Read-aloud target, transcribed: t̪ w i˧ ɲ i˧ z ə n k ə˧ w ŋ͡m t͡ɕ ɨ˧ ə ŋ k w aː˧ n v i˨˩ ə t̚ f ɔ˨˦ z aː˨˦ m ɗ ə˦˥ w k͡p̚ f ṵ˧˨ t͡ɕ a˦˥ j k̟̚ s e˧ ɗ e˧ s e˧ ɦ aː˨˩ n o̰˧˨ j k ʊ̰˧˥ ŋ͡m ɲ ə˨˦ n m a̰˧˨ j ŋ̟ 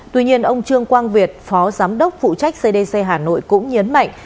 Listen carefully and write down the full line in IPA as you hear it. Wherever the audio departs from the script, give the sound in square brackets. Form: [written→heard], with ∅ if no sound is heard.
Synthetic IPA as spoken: t̪ w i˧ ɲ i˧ [z→∅] ə n [k→ʔ] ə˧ w ŋ͡m t͡ɕ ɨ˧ ə ŋ k w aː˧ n v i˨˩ ə t̚ f ɔ˨˦ z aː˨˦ m ɗ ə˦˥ w k͡p̚ f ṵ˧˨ t͡ɕ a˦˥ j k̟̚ s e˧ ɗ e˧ s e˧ ɦ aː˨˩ n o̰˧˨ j k ʊ̰˧˥ ŋ͡m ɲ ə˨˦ n m a̰˧˨ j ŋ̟